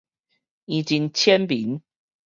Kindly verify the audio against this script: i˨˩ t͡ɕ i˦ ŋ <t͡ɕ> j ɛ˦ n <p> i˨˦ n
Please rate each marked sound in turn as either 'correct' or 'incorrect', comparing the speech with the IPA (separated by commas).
incorrect, correct